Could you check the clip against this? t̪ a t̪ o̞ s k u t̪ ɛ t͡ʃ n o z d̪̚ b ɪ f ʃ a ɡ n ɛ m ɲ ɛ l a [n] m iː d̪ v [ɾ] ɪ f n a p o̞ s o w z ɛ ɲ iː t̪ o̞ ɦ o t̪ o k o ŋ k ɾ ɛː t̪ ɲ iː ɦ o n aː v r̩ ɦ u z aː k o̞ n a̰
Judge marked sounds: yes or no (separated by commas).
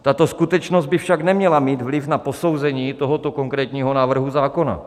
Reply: no, no